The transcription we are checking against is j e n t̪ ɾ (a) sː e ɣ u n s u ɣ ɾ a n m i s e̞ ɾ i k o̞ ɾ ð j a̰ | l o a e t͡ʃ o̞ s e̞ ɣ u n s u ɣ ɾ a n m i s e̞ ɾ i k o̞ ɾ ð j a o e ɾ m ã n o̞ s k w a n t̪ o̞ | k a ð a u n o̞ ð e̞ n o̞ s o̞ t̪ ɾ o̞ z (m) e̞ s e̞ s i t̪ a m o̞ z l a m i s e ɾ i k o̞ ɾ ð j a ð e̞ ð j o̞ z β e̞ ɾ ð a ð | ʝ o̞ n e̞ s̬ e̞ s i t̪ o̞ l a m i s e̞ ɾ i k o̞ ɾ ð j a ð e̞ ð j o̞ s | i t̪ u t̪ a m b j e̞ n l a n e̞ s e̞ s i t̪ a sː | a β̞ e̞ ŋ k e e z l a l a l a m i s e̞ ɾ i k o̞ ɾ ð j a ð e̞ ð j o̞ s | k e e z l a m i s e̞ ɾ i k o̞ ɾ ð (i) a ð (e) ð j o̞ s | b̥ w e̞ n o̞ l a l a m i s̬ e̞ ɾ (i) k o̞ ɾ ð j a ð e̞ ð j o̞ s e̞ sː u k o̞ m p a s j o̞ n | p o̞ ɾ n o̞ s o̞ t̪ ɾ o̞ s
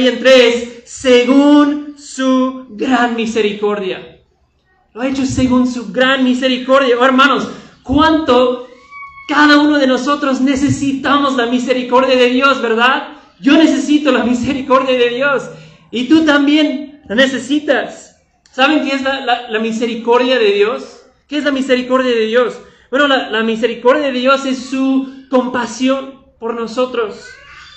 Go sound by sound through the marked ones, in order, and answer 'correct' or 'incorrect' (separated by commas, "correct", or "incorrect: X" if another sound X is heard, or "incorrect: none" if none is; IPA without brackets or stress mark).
incorrect: e, incorrect: n, incorrect: j, correct, correct